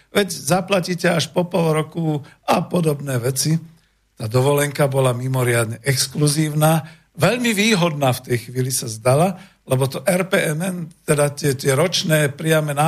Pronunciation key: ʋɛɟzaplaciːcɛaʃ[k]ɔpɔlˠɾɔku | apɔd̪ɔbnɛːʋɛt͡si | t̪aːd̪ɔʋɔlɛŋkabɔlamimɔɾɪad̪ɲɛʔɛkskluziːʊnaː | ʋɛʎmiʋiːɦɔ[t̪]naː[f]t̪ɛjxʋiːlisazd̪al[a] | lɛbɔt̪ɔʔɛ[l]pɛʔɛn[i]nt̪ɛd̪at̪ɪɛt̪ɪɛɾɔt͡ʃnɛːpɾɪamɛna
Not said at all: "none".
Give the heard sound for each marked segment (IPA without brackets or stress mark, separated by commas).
p, d̪, f, a, ɾ, ɛ